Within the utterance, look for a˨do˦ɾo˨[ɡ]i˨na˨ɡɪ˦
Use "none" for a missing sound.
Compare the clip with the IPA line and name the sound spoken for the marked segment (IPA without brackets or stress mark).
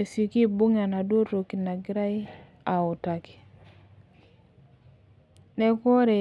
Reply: k